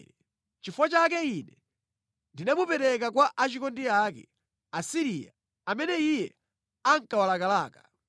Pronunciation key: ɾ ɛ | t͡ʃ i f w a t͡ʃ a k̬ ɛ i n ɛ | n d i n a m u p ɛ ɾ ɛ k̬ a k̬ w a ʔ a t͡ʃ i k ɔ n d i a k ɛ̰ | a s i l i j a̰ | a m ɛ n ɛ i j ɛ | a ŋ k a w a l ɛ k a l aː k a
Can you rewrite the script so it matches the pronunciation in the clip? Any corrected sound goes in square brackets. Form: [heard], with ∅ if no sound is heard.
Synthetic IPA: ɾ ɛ | t͡ʃ i f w a t͡ʃ a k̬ ɛ i n ɛ | n d i n a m u p ɛ ɾ ɛ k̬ a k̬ w a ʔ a t͡ʃ i k ɔ n d i a k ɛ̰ | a s i [ɾ] i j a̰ | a m ɛ n ɛ i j ɛ | a ŋ k a w a l [a] k a l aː k a